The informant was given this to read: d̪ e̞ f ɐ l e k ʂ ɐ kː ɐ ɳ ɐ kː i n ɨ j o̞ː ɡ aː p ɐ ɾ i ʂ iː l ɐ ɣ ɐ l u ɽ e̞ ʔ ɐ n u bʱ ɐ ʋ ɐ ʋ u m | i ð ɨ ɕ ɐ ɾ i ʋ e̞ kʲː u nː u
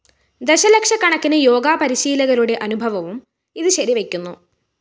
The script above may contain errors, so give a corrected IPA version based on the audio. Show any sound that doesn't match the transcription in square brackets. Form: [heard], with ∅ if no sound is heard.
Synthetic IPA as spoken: d̪ e̞ [ɕ] ɐ l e k ʂ ɐ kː ɐ ɳ ɐ kː i n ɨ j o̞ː ɡ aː p ɐ ɾ i [ɕ] iː l ɐ ɣ ɐ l u ɽ e̞ ʔ ɐ n u bʱ ɐ ʋ ɐ ʋ u m | i ð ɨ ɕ ɐ ɾ i ʋ e̞ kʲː u nː u